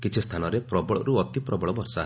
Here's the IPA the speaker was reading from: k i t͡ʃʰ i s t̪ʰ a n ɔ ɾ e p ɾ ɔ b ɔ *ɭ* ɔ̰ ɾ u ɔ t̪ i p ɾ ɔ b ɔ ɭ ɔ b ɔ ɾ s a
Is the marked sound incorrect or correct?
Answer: correct